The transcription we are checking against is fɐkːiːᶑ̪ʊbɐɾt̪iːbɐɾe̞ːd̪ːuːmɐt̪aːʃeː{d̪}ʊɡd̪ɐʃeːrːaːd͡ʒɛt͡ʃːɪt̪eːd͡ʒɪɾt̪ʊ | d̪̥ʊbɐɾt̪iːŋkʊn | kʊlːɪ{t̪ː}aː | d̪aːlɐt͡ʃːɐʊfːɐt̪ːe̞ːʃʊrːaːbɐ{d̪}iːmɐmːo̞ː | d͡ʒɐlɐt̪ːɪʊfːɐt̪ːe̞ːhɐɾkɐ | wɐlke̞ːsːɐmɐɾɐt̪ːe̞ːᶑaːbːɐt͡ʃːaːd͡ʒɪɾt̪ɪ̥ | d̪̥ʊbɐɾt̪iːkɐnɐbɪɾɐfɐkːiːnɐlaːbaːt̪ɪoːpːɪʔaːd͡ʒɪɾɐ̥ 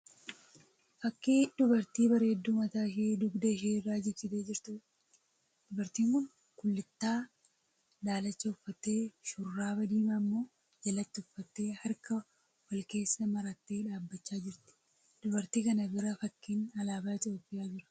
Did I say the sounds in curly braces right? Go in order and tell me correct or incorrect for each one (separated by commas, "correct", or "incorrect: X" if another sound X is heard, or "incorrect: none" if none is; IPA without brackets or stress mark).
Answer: correct, correct, correct